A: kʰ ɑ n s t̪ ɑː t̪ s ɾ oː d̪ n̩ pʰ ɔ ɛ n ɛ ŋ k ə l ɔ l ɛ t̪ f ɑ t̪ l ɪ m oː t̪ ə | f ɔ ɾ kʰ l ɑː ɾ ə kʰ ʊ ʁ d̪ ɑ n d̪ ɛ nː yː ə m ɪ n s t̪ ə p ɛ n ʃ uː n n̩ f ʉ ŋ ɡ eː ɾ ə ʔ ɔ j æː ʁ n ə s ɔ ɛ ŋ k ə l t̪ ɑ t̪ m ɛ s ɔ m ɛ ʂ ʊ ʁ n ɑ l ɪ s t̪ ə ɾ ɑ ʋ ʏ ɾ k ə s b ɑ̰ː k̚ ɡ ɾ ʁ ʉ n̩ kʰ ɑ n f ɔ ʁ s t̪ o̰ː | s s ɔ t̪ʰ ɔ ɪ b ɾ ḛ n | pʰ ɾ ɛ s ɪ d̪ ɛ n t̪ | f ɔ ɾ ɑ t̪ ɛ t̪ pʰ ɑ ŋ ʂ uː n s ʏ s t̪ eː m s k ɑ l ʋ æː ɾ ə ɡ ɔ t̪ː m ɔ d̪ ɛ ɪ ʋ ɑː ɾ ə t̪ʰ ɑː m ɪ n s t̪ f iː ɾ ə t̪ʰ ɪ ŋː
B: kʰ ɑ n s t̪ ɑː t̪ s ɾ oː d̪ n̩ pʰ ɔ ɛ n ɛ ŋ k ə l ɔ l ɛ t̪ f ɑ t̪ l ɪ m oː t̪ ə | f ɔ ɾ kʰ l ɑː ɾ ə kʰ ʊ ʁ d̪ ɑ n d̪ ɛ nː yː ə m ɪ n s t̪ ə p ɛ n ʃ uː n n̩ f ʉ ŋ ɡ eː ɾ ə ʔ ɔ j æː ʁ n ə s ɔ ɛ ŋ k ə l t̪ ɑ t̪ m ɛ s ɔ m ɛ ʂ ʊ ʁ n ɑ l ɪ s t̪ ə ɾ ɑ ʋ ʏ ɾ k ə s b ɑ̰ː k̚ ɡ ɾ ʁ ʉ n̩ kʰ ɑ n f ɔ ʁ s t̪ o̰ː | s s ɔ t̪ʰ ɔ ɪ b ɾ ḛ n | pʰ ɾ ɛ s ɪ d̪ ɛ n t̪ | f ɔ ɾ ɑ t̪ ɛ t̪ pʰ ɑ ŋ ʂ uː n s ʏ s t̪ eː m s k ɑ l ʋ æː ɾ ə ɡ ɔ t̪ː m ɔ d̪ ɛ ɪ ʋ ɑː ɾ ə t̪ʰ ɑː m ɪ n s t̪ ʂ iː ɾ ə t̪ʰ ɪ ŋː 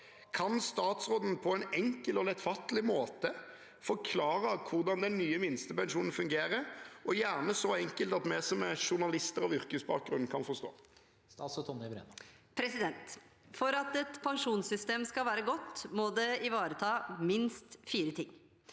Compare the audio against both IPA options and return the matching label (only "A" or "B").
A